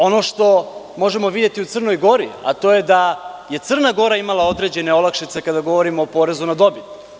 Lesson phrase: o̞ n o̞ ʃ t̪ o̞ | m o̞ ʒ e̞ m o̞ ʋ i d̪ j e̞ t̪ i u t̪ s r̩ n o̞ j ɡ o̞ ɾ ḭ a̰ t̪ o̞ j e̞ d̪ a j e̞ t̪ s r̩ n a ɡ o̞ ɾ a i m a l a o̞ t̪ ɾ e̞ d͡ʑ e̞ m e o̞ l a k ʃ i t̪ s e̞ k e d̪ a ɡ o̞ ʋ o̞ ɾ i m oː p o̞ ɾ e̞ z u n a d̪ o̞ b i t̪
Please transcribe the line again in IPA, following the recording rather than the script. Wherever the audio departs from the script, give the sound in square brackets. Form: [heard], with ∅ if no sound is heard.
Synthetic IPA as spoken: o̞ n o̞ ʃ t̪ o̞ | m o̞ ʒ e̞ m o̞ ʋ i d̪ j e̞ t̪ i u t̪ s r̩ n o̞ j ɡ o̞ ɾ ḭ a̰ t̪ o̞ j e̞ d̪ a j e̞ t̪ s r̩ n a ɡ o̞ ɾ a i m a l a o̞ [d̪] ɾ e̞ d͡ʑ e̞ [n] e o̞ l a k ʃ i t̪ s e̞ k [a] d̪ a ɡ o̞ ʋ o̞ ɾ i m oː p o̞ ɾ e̞ z u n a d̪ o̞ b i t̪